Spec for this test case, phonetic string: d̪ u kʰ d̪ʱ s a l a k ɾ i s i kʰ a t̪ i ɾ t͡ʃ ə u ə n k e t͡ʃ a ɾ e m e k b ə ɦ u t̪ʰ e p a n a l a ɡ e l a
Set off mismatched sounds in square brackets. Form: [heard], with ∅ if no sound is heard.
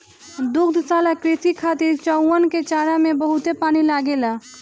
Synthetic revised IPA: d̪ u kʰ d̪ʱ s a l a k ɾ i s i kʰ a t̪ i ɾ t͡ʃ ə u ə n k e t͡ʃ a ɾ [a] m e [∅] b ə ɦ u [t̪] e p a n [i] l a ɡ e l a